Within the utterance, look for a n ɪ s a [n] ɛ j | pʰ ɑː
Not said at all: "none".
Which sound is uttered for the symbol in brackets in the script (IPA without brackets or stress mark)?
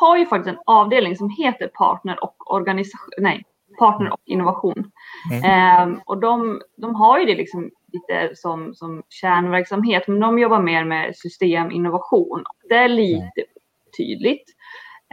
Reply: n